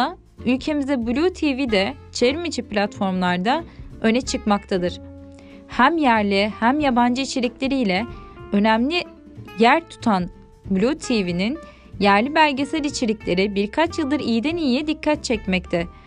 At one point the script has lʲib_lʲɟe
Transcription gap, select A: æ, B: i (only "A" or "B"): A